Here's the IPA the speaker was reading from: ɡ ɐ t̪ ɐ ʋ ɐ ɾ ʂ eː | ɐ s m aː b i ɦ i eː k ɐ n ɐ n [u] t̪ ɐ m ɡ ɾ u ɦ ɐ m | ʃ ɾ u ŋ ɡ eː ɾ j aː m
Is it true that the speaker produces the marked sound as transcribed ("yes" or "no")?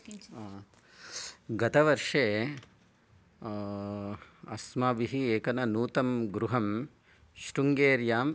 no